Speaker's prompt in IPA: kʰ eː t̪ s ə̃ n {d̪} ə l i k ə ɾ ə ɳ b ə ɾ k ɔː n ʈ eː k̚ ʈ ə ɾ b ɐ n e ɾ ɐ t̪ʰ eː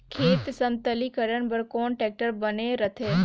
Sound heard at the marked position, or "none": t̪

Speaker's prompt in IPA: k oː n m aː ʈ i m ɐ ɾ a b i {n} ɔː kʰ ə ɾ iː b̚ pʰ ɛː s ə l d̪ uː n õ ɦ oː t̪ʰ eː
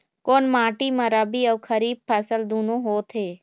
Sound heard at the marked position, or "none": none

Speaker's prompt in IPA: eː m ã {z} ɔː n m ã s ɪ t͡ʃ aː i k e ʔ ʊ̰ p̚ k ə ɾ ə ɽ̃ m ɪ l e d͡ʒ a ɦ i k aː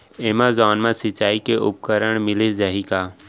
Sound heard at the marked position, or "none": z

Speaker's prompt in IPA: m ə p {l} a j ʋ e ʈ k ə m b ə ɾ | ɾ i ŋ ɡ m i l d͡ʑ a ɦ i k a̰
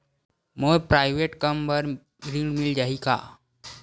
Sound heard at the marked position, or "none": ɾ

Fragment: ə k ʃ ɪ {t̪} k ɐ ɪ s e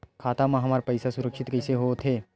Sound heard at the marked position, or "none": t̪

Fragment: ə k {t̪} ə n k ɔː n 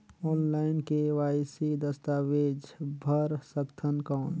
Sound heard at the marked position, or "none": t̪ʰ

